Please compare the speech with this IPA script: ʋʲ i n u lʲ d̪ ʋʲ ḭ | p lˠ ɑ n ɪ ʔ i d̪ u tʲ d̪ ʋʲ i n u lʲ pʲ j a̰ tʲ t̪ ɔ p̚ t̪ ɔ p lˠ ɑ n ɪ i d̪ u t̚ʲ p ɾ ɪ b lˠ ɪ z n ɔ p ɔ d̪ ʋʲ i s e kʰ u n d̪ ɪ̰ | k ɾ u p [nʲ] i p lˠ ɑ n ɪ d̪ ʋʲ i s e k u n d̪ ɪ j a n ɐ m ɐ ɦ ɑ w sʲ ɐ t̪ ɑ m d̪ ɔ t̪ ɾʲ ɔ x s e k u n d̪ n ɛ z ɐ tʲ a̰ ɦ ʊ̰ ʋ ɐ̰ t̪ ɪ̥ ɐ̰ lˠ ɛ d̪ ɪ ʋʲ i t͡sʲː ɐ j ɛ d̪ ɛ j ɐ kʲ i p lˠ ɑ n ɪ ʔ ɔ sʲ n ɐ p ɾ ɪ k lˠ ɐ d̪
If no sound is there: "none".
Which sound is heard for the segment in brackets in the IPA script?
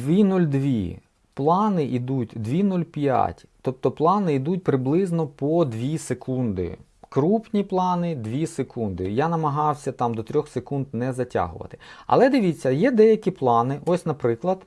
nʲ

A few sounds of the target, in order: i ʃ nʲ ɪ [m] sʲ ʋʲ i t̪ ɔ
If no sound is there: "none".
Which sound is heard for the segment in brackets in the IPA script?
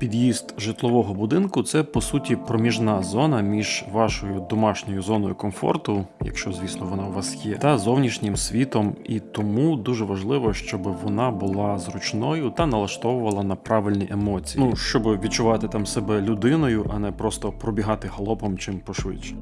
m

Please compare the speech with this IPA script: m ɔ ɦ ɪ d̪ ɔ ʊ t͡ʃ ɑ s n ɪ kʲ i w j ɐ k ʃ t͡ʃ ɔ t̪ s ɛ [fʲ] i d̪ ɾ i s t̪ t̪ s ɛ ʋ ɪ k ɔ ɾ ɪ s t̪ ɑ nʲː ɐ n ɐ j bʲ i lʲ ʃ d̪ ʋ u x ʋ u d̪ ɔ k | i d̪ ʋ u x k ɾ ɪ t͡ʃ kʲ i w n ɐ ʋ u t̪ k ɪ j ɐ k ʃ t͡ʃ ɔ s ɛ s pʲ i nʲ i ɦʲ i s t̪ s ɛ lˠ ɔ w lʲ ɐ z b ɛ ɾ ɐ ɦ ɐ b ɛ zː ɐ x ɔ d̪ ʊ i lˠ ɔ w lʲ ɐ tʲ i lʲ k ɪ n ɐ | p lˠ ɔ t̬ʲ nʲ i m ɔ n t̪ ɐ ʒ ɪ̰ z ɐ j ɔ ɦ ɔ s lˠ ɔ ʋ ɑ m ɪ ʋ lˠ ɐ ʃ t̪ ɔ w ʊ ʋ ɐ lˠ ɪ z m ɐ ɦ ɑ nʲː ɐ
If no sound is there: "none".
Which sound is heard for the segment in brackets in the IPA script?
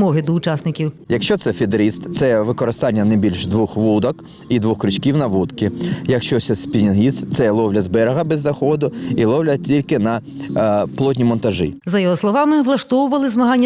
fʲ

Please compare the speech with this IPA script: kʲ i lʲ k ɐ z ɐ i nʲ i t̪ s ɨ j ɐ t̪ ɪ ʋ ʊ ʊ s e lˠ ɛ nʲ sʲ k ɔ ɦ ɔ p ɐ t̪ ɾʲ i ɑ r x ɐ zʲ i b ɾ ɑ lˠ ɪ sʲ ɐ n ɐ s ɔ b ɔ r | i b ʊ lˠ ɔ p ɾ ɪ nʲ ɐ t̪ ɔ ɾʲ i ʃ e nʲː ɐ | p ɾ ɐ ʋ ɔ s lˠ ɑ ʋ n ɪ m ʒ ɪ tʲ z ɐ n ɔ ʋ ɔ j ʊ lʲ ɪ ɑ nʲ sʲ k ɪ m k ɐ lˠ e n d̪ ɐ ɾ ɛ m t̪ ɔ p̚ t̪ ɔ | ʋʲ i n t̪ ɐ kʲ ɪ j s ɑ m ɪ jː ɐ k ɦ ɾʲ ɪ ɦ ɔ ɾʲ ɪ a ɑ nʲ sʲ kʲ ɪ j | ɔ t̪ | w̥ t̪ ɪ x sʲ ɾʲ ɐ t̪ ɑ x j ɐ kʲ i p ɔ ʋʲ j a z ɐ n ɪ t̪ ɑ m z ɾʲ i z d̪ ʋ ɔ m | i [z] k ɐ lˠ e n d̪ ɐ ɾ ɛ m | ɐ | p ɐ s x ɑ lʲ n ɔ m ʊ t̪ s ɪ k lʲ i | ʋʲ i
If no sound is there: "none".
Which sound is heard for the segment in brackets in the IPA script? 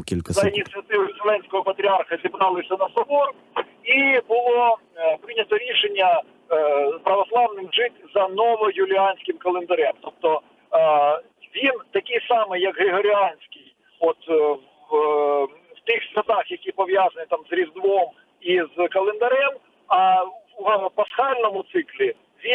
z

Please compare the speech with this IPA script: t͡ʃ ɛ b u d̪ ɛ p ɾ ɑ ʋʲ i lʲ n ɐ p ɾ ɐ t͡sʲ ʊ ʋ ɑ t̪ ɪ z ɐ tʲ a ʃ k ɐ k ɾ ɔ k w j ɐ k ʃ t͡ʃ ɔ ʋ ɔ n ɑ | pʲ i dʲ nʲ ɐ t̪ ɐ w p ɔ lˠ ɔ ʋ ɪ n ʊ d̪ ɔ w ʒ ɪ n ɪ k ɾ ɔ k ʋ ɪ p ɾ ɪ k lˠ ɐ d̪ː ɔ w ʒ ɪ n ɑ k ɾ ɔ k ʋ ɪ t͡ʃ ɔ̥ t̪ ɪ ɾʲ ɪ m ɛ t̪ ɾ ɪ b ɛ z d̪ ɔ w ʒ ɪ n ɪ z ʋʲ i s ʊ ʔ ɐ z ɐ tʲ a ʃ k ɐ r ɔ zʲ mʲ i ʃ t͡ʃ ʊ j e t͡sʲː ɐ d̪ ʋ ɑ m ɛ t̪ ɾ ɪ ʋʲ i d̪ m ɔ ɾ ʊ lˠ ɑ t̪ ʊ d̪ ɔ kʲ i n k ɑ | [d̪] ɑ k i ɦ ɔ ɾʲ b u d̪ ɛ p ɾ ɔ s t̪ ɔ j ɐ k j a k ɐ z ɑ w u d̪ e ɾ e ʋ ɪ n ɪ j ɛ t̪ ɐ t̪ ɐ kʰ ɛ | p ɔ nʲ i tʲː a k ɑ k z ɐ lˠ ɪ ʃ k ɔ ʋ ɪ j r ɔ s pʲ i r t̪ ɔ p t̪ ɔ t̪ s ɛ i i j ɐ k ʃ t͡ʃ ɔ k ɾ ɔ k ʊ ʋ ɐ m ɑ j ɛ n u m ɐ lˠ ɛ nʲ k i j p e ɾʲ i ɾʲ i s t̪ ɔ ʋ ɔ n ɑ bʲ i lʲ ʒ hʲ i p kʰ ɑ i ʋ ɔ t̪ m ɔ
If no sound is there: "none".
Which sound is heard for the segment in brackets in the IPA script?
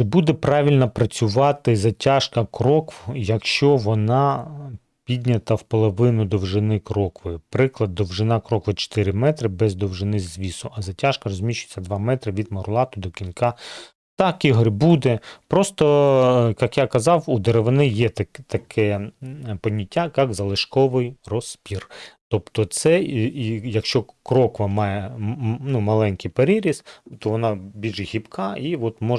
t̪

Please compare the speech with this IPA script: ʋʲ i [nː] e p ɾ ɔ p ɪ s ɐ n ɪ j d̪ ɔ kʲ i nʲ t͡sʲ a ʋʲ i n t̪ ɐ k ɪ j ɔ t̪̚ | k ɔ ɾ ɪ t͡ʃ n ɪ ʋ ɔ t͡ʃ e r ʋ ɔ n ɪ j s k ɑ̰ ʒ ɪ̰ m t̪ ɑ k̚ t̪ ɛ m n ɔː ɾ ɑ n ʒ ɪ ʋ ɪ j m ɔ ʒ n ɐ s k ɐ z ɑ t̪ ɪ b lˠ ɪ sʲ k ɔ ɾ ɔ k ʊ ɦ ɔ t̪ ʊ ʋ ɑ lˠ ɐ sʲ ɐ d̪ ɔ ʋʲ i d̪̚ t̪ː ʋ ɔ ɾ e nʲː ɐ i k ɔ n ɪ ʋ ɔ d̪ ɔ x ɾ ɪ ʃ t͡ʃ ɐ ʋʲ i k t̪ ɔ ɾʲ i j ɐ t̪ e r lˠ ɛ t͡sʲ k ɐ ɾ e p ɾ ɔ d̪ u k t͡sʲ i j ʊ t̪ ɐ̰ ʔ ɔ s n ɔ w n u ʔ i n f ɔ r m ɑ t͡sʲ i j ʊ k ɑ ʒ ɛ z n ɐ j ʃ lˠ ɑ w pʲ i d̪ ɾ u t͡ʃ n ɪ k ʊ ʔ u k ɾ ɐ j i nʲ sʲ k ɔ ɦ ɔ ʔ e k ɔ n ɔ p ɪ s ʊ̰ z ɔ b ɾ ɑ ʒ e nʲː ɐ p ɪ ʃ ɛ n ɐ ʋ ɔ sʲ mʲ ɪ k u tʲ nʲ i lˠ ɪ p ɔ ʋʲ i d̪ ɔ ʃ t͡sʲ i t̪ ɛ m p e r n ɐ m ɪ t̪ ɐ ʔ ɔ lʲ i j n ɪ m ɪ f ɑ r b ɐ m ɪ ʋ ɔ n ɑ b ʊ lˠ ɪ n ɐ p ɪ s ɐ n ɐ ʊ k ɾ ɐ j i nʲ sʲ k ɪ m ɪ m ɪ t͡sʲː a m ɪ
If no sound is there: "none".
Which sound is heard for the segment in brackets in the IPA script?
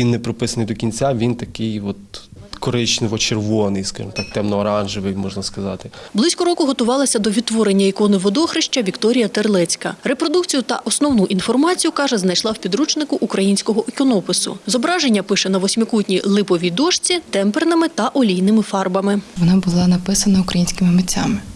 nː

